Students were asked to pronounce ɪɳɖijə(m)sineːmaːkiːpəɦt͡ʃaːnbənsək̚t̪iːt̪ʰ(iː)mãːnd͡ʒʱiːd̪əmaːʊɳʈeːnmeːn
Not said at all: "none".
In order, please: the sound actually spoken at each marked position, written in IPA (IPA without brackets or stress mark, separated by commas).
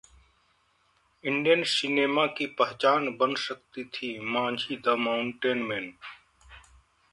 n, iː